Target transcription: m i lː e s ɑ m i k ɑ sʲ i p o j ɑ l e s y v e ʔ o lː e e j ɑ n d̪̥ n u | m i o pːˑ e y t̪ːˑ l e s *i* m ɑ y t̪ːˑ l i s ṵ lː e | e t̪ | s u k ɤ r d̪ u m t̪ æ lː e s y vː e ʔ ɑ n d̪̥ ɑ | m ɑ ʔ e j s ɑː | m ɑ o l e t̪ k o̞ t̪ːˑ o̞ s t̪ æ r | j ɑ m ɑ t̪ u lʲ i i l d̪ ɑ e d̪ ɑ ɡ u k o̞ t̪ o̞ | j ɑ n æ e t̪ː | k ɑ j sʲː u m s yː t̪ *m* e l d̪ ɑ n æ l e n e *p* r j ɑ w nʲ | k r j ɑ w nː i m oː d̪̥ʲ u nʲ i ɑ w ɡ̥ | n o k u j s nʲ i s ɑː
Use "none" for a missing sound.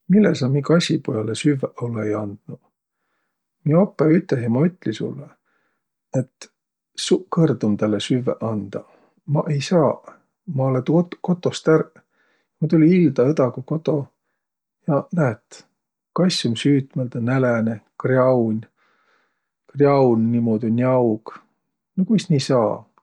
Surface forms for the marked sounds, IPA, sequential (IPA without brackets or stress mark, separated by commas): i, m, k